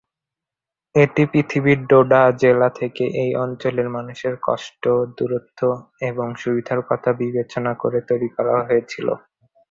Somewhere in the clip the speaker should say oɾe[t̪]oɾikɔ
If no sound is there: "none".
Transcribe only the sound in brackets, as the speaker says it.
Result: t̪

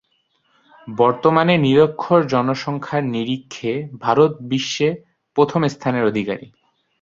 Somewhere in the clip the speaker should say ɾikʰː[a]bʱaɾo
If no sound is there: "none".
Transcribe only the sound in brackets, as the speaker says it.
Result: e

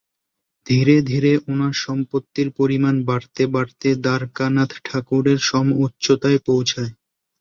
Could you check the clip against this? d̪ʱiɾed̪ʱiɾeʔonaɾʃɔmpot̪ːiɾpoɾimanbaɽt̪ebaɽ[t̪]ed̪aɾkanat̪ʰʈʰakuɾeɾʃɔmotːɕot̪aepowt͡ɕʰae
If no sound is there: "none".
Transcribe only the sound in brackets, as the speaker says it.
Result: t̪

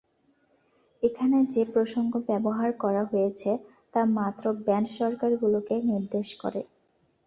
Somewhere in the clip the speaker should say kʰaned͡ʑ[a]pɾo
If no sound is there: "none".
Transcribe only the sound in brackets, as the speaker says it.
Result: e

